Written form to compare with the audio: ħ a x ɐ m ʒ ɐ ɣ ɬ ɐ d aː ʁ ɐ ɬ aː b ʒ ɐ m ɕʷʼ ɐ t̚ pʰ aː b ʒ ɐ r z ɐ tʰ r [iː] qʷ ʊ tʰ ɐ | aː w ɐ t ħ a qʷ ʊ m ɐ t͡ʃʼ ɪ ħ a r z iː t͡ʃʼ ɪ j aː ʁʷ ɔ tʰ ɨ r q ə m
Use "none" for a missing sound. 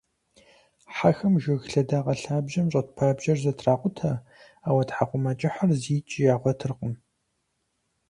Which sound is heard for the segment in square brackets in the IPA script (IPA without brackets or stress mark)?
aː